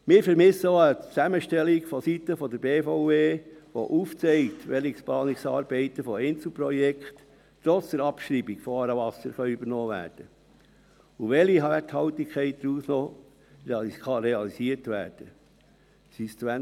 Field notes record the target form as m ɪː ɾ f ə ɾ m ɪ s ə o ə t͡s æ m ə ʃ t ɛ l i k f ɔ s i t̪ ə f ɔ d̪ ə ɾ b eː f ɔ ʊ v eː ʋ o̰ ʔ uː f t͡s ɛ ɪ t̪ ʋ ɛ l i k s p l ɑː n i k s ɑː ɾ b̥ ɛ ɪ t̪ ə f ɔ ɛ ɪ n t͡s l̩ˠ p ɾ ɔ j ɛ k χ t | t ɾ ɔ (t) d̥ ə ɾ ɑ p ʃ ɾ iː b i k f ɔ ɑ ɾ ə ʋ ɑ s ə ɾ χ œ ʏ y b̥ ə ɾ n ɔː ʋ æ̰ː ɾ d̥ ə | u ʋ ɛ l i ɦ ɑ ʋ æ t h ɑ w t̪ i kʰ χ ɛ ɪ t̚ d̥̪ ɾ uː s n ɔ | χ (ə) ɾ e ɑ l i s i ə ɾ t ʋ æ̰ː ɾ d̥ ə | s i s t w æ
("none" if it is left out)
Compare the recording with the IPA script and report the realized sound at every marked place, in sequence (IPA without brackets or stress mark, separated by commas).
t͡s, ɑ